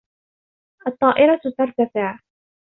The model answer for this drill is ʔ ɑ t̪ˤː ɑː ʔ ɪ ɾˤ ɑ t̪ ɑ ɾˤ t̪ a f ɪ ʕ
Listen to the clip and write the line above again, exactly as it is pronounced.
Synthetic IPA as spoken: ʔ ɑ t̪ˤː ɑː ʔ ɪ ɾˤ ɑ t̪ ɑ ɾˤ t̪ a f ɪ ʕ